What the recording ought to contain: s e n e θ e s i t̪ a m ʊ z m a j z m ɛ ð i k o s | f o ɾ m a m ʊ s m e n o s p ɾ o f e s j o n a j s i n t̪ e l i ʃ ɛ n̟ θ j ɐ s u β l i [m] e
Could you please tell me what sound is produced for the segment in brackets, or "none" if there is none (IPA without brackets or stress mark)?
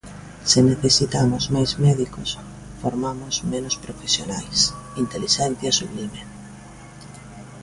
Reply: m